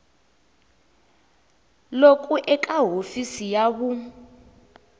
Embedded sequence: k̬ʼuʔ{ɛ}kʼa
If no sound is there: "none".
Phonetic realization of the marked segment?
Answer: ɛ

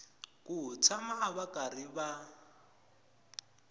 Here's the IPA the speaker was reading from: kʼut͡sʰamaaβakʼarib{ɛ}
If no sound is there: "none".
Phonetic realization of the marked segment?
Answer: a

